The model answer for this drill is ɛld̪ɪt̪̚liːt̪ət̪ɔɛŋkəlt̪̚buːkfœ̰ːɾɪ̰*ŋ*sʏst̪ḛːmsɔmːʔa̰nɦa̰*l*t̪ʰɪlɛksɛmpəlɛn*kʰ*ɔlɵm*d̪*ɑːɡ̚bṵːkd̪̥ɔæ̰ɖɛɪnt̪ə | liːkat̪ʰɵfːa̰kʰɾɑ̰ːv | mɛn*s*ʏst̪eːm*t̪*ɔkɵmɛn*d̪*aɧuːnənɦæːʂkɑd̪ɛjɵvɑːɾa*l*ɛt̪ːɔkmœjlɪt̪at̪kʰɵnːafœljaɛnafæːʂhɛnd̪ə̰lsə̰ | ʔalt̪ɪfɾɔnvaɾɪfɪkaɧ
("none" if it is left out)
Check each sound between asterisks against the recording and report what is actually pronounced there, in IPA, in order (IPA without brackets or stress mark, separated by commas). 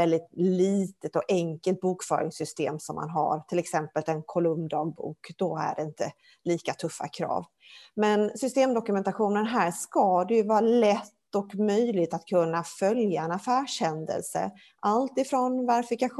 ŋ, ɾ, kʰ, d̪, s, d̪, t̪, l